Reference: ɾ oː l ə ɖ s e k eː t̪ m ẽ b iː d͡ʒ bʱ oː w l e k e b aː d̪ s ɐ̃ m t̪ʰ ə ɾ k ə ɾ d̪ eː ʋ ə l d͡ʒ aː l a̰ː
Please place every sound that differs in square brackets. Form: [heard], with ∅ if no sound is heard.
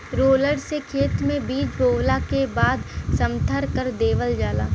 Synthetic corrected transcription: ɾ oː l ə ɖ s e [kʰ] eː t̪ m ẽ b iː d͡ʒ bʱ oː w l [a] k e b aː d̪ s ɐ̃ m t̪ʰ ə ɾ k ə ɾ d̪ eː ʋ ə l d͡ʒ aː l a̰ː